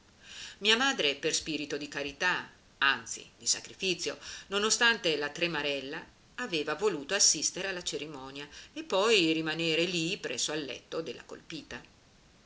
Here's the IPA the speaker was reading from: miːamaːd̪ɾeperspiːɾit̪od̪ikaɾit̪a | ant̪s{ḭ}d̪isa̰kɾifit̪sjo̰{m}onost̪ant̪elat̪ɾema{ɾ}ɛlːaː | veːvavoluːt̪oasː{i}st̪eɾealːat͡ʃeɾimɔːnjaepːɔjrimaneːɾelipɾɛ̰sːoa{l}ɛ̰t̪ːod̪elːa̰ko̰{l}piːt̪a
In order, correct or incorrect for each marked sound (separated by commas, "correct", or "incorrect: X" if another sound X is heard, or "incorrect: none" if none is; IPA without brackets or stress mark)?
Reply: correct, incorrect: n, correct, correct, incorrect: lː, correct